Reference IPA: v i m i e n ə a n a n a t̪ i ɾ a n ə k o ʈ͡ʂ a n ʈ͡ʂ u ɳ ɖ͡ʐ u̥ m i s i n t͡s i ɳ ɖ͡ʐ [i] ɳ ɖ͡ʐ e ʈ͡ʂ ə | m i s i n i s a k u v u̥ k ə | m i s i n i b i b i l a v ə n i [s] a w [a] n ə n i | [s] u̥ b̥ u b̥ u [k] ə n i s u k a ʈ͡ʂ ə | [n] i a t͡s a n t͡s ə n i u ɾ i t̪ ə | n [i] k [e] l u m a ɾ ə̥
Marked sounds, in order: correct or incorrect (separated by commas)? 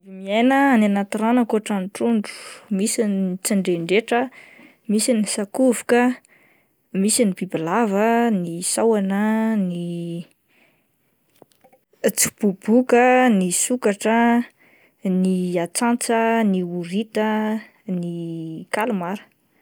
incorrect, correct, correct, incorrect, correct, correct, correct, incorrect